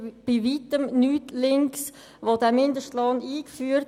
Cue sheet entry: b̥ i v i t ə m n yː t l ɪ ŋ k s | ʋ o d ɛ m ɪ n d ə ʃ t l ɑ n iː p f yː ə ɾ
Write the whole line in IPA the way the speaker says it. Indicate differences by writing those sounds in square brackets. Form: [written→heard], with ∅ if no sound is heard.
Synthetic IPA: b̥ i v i t ə m n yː t l ɪ ŋ k s | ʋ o d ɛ m ɪ n d ə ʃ t l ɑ n iː [p→k] f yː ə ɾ